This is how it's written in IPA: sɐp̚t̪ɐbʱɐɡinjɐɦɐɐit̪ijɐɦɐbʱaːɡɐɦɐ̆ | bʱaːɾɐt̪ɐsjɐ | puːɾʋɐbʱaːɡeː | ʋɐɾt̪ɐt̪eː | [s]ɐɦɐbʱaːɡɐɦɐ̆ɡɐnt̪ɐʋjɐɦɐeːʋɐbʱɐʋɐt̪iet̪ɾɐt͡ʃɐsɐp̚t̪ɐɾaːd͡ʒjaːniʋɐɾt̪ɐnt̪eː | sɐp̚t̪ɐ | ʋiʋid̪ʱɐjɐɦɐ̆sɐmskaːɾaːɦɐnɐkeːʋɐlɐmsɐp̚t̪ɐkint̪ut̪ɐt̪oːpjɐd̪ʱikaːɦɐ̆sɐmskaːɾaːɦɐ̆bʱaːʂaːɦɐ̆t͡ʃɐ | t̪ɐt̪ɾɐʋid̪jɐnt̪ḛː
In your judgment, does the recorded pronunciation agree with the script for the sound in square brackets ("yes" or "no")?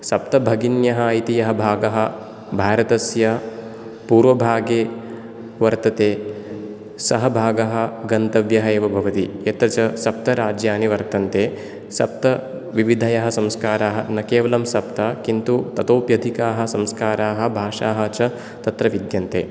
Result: yes